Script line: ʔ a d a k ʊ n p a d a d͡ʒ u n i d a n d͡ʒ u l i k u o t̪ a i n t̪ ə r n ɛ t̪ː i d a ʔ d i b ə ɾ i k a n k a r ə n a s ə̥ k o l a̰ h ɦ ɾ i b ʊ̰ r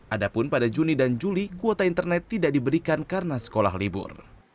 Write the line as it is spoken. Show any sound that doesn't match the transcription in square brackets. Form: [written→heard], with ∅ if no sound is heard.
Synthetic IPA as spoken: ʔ a d a [k→p] ʊ n p a d a d͡ʒ u n i d a n d͡ʒ u l i k u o t̪ a i n t̪ ə r n ɛ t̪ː i d a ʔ d i b ə ɾ i k a n k a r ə n a s ə̥ k o l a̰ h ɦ [ɾ→l] i b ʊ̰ r